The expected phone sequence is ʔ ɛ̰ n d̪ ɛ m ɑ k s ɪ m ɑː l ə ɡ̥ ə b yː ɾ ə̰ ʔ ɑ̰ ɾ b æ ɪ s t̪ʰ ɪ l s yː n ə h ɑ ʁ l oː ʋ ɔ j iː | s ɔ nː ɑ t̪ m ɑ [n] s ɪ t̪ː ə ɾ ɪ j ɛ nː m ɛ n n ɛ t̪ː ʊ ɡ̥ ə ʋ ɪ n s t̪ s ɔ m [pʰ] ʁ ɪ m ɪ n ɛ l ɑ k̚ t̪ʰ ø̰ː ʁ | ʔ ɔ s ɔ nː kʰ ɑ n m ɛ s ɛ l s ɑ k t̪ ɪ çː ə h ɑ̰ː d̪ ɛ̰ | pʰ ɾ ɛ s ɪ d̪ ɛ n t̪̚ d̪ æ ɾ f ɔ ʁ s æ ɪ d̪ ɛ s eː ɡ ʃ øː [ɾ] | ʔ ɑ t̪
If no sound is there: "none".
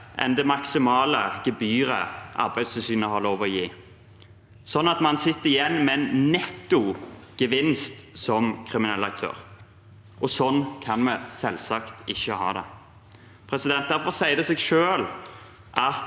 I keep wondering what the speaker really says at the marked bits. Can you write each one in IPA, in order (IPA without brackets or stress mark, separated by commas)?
n, kʰ, l